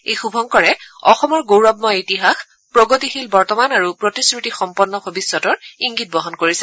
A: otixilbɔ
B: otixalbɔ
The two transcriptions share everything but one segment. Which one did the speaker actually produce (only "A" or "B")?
A